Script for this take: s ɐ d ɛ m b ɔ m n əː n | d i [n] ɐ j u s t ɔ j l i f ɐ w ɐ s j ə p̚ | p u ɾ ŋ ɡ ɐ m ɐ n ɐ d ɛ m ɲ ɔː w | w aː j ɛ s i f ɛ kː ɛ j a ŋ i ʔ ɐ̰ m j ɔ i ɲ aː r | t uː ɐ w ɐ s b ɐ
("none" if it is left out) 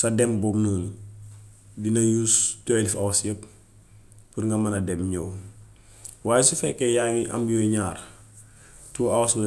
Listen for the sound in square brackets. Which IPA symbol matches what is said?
n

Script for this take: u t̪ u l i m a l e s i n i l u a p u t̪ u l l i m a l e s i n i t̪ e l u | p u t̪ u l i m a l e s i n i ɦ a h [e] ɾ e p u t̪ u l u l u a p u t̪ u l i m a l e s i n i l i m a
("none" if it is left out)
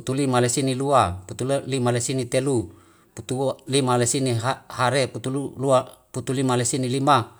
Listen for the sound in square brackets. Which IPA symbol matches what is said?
a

